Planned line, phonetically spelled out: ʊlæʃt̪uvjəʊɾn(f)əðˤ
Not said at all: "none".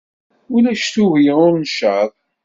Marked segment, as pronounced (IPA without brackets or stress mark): ʃ